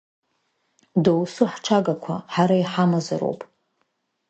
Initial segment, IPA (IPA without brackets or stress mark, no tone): d